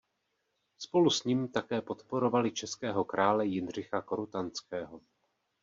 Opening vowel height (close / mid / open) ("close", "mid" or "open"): mid